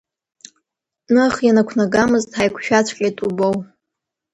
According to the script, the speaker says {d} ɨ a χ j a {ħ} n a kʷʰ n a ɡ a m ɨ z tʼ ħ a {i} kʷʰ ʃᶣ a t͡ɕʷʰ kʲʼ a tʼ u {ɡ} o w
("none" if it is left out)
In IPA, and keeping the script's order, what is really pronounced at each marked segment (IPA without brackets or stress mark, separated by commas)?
n, none, j, b